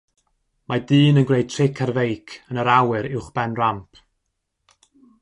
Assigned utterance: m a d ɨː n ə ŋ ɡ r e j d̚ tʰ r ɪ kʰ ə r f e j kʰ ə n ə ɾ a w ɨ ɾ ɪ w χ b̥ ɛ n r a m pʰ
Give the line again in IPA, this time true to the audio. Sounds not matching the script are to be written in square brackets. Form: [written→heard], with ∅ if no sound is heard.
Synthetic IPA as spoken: m a d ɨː n ə [ŋ→n] ɡ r e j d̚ tʰ r ɪ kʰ [ə→a] r [f→v] e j kʰ ə n ə ɾ a w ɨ ɾ ɪ w χ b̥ ɛ n r a m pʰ